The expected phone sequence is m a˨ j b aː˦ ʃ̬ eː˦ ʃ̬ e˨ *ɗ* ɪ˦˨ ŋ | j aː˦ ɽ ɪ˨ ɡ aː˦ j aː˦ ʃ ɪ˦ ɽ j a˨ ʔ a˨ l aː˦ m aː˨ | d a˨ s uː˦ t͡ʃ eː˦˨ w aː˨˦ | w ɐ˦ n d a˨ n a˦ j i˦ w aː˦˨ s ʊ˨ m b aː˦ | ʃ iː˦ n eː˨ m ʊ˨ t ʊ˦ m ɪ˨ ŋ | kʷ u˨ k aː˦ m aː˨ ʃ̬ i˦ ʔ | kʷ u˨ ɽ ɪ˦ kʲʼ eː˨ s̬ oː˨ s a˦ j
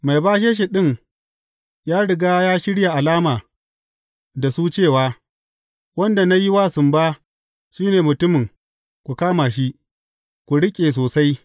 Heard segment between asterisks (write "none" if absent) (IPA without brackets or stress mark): ɗ